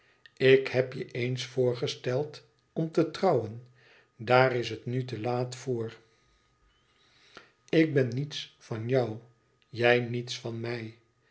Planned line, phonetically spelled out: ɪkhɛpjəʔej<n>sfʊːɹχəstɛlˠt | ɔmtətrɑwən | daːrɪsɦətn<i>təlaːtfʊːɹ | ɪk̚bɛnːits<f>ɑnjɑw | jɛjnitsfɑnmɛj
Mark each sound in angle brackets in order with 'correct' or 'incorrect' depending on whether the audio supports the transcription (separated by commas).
correct, incorrect, correct